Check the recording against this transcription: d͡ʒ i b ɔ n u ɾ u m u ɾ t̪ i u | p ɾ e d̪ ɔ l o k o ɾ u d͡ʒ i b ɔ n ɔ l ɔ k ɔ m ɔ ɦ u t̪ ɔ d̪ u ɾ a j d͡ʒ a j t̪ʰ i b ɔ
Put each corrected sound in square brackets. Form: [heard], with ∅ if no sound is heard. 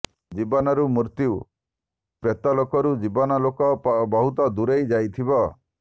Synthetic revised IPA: d͡ʒ i b ɔ n [ɔ] ɾ u m u ɾ t̪ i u | p ɾ e [t̪] ɔ l o k [ɔ] ɾ u d͡ʒ i b ɔ n ɔ l [o] k ɔ [b] ɔ ɦ u t̪ ɔ d̪ u ɾ [e] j d͡ʒ a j t̪ʰ i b ɔ

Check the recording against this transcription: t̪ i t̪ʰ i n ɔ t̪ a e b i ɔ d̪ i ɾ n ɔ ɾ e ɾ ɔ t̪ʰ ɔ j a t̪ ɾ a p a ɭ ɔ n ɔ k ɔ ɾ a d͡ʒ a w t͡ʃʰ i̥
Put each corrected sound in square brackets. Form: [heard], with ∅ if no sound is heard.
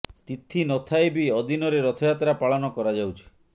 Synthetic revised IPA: t̪ i t̪ʰ i n ɔ [t̪ʰ] a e b i ɔ d̪ i [∅] n ɔ ɾ e ɾ ɔ t̪ʰ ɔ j a t̪ ɾ a p a ɭ ɔ n ɔ k ɔ ɾ a d͡ʒ a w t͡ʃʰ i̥

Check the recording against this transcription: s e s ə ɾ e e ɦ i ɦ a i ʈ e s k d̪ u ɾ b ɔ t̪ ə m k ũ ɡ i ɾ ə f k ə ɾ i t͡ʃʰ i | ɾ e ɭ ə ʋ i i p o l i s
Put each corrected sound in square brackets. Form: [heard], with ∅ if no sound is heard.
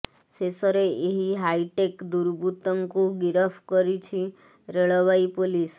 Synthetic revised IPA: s e s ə ɾ e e ɦ i ɦ a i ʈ e [∅] k d̪ u ɾ b [u] t̪ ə [ŋ] k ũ ɡ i ɾ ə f k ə ɾ i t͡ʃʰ i | ɾ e ɭ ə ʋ [a] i p o l i s

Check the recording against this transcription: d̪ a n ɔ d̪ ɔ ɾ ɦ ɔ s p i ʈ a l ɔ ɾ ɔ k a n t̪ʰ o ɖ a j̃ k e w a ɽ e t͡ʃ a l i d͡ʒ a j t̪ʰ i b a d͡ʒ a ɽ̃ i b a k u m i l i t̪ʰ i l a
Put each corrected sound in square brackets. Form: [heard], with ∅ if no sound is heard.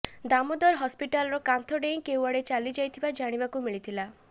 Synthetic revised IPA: d̪ a [m] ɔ d̪ ɔ ɾ ɦ ɔ s p i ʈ a l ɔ ɾ ɔ k a n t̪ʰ [ɔ] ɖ [e] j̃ k e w a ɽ e t͡ʃ a l i d͡ʒ a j t̪ʰ i b a d͡ʒ a ɽ̃ i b a k u m i [ɭ] i t̪ʰ i l a

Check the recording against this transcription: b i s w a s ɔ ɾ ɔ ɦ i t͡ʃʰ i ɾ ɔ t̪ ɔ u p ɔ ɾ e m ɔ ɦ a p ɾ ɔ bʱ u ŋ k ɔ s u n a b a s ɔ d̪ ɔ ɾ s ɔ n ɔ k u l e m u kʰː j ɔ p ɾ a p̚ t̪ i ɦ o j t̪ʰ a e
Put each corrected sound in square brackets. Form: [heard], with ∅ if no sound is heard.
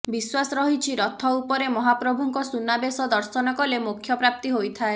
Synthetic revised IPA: b i s w a s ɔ ɾ ɔ ɦ i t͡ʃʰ i ɾ ɔ [t̪ʰ] ɔ u p ɔ ɾ e m ɔ ɦ a p ɾ ɔ bʱ u ŋ k ɔ s u n a b [e] s ɔ d̪ ɔ ɾ s ɔ n ɔ k [ɔ] l e m u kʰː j ɔ p ɾ a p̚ t̪ i ɦ o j t̪ʰ a e

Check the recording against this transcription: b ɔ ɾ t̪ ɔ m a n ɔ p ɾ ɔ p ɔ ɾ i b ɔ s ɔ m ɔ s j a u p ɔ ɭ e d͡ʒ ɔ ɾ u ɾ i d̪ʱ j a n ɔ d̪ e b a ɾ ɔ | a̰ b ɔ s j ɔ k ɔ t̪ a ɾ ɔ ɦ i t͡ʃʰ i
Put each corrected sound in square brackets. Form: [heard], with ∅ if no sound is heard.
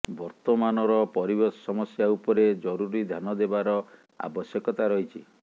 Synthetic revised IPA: b ɔ ɾ t̪ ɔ m a n ɔ [∅] ɾ ɔ p ɔ ɾ i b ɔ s ɔ m ɔ s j a u p ɔ [ɾ] e d͡ʒ ɔ ɾ u ɾ i d̪ʱ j a n ɔ d̪ e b a ɾ ɔ | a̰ b ɔ s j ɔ k ɔ t̪ a ɾ ɔ ɦ i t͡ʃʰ i

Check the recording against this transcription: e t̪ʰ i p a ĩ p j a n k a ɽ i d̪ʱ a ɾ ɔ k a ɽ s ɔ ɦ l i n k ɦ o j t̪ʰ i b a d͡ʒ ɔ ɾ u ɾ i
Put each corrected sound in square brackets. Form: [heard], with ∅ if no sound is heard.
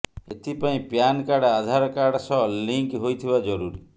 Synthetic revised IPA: e t̪ʰ i p a ĩ p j a n k a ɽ [a] d̪ʱ a ɾ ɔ k a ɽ s ɔ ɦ l i [ŋ] k ɦ o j t̪ʰ i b a d͡ʒ ɔ ɾ u ɾ i

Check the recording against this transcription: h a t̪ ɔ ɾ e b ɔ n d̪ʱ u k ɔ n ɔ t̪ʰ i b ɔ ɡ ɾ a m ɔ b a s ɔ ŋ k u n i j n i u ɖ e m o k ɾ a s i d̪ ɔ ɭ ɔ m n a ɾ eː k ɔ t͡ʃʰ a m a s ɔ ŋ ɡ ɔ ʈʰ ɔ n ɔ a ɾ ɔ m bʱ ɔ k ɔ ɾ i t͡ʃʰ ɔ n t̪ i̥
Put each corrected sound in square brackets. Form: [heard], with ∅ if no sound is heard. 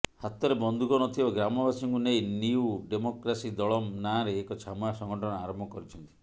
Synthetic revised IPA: h a t̪ ɔ ɾ e b ɔ n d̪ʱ u k ɔ n ɔ t̪ʰ i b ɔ ɡ ɾ a m ɔ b a s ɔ ŋ k u n [e] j n i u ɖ e m o k ɾ a s i d̪ ɔ ɭ ɔ m n a ɾ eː k ɔ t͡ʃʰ a m a s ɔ ŋ ɡ ɔ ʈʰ ɔ n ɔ a ɾ ɔ m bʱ ɔ k ɔ ɾ i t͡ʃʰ ɔ n t̪ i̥

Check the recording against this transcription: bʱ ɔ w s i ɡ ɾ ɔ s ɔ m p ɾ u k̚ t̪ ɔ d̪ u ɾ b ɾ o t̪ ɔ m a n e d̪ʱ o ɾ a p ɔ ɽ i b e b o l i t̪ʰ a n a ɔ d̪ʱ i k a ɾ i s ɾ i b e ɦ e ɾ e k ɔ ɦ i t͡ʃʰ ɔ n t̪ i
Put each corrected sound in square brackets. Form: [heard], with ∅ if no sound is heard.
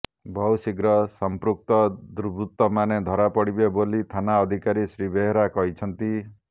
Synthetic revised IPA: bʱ ɔ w s i ɡ ɾ ɔ s ɔ m p ɾ u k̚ t̪ ɔ d̪ u ɾ b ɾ [u] t̪ ɔ m a n e d̪ʱ [ɔ] ɾ a p ɔ ɽ i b e b o l i t̪ʰ a n a ɔ d̪ʱ i k a ɾ i s ɾ i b e ɦ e ɾ [a] k ɔ ɦ i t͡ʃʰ ɔ n t̪ i

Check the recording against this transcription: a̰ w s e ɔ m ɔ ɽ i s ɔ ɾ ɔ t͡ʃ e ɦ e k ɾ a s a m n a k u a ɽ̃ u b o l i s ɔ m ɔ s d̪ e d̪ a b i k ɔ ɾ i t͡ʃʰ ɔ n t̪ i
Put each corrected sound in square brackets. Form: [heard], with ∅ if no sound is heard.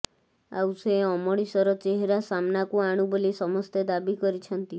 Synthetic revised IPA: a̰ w s e ɔ m ɔ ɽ i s ɔ ɾ ɔ t͡ʃ e ɦ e [∅] ɾ a s a m n a k u a ɽ̃ u b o l i s ɔ m ɔ s [t̪] e d̪ a b i k ɔ ɾ i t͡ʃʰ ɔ n t̪ i

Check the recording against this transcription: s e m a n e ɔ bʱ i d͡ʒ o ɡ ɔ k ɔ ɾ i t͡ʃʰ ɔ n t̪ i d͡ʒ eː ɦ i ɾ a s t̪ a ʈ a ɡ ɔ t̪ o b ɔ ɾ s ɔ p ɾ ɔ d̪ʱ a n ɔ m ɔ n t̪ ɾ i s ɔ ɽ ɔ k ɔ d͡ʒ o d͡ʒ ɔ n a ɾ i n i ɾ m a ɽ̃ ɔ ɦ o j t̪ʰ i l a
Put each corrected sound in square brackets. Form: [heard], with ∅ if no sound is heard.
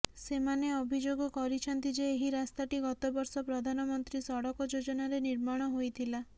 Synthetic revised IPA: s e m a n e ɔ bʱ i d͡ʒ o ɡ ɔ k ɔ ɾ i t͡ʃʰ ɔ n t̪ i d͡ʒ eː ɦ i ɾ a s t̪ a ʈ [i] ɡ ɔ t̪ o b ɔ ɾ s ɔ p ɾ ɔ d̪ʱ a n ɔ m ɔ n t̪ ɾ i s ɔ ɽ ɔ k ɔ d͡ʒ o d͡ʒ ɔ n a ɾ [e] n i ɾ m a ɽ̃ ɔ ɦ o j t̪ʰ i l a

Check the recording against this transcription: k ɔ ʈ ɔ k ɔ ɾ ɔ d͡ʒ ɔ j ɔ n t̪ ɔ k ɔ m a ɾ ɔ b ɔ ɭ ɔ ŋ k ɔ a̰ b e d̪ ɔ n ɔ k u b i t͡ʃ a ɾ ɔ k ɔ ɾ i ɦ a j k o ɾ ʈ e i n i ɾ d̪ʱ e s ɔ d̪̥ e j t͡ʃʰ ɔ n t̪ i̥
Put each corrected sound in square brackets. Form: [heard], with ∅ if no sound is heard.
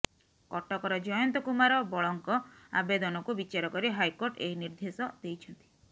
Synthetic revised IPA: k ɔ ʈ ɔ k ɔ ɾ ɔ d͡ʒ ɔ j ɔ n t̪ ɔ k [u] m a ɾ ɔ b ɔ ɭ ɔ ŋ k ɔ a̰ b e d̪ ɔ n ɔ k u b i t͡ʃ a ɾ ɔ k ɔ ɾ i ɦ a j k o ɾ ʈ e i n i ɾ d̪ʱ e s ɔ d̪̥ e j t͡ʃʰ ɔ n t̪ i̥

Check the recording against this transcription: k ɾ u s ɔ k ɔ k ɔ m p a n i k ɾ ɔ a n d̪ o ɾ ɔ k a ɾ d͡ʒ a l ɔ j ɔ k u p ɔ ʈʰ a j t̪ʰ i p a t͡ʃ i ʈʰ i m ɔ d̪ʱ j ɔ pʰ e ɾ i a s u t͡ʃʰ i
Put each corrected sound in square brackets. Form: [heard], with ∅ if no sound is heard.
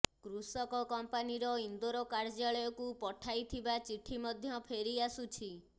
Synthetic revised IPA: k ɾ u s ɔ k ɔ k ɔ m p a n i [∅] ɾ ɔ [i] n d̪ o ɾ ɔ k a ɾ d͡ʒ a [ɭ] ɔ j ɔ k u p ɔ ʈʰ a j t̪ʰ i [b] a t͡ʃ i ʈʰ i m ɔ d̪ʱ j ɔ pʰ e ɾ i a s u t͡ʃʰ i

